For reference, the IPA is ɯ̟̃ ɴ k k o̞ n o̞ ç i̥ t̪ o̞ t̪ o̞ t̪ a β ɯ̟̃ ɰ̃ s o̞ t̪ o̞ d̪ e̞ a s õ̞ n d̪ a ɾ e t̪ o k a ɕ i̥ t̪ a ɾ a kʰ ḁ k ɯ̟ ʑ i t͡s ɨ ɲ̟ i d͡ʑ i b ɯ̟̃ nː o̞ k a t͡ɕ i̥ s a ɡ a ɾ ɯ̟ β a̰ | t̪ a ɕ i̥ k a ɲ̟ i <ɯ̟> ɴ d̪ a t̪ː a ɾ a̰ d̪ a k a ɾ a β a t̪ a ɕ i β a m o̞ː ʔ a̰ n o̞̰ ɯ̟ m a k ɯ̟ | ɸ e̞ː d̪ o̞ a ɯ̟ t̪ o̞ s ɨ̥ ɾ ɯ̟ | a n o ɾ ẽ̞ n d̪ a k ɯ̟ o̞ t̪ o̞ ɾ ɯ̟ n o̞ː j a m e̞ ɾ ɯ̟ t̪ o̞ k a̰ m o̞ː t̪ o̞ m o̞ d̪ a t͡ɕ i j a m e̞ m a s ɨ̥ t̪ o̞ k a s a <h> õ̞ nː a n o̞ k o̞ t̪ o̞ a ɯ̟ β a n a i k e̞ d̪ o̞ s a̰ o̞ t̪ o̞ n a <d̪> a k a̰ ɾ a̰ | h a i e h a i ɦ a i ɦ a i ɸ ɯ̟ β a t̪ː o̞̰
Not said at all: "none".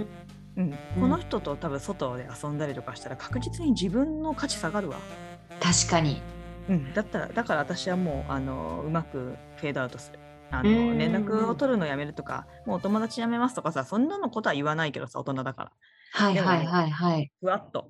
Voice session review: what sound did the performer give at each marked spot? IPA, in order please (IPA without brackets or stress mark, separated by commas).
ɯ̟̃, s, d̪